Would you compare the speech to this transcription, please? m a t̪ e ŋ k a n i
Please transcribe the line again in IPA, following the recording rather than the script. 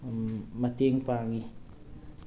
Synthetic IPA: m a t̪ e ŋ p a ŋ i